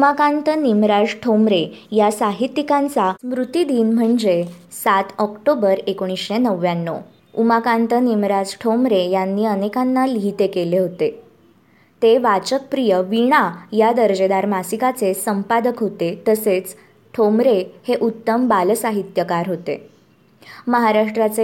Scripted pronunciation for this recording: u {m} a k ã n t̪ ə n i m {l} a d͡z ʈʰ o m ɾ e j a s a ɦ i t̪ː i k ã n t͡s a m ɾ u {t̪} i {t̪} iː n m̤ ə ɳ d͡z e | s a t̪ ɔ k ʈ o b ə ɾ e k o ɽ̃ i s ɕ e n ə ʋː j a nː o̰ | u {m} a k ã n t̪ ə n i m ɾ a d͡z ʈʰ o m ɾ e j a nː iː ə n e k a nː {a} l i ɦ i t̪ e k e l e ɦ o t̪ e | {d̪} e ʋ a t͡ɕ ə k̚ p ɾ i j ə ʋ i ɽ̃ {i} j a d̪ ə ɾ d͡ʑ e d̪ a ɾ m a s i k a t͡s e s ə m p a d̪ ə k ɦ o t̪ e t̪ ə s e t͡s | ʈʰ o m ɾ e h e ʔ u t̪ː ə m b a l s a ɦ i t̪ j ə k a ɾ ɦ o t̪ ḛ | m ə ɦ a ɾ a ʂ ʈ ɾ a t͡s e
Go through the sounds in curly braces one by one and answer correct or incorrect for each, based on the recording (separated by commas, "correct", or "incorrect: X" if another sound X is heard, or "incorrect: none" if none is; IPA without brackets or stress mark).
correct, incorrect: ɾ, correct, incorrect: d̪, correct, correct, incorrect: t̪, incorrect: a